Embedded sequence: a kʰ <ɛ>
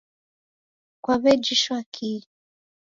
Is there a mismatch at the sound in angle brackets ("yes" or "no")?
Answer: yes